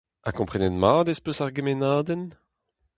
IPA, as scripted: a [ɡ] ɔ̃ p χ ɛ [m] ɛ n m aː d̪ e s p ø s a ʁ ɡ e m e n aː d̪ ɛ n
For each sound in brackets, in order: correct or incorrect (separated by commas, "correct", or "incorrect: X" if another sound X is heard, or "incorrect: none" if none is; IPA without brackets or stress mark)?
incorrect: k, incorrect: n